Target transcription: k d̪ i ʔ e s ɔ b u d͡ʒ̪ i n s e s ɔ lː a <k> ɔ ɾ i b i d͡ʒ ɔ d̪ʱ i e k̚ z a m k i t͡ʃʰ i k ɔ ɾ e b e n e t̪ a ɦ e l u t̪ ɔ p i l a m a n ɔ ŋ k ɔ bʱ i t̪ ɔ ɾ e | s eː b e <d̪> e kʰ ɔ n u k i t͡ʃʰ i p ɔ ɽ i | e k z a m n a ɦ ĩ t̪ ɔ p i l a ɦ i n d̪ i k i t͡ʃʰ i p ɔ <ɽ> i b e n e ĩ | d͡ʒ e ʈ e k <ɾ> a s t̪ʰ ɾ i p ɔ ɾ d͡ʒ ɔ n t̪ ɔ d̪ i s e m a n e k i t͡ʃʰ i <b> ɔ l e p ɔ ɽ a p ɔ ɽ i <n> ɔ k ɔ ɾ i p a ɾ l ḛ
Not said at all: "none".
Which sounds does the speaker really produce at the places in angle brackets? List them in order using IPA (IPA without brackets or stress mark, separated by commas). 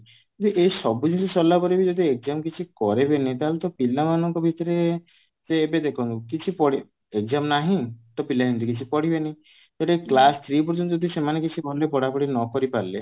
p, d̪, ɽ, l, b, n